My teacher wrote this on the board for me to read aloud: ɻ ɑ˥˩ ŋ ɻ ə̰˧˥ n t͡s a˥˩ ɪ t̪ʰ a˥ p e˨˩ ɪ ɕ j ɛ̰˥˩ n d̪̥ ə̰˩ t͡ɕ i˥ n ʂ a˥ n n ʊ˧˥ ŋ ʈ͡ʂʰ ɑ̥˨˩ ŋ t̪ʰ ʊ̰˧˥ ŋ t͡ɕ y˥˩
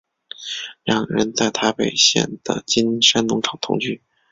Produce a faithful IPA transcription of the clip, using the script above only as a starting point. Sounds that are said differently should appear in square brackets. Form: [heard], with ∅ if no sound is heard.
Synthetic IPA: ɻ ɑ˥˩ ŋ ɻ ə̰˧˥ n t͡s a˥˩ ɪ t̪ʰ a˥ p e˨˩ ɪ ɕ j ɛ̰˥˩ n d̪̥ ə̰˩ t͡ɕ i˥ n ʂ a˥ n n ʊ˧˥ ŋ ʈ͡ʂʰ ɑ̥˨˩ ŋ t̪ʰ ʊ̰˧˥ ŋ t͡ɕ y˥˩